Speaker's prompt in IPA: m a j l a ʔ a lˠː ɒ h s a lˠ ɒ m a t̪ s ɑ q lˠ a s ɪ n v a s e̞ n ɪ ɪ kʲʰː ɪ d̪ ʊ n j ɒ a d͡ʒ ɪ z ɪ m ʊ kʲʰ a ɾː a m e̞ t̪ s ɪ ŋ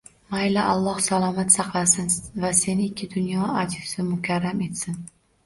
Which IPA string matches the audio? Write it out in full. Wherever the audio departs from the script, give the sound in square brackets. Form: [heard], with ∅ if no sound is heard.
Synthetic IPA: m a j l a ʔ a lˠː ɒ h s a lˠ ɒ m a t̪ s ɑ q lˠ a s ɪ n v a s e̞ n ɪ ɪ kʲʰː ɪ d̪ ʊ n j ɒ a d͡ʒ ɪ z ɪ m ʊ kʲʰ a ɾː a m e̞ t̪ s ɪ [n]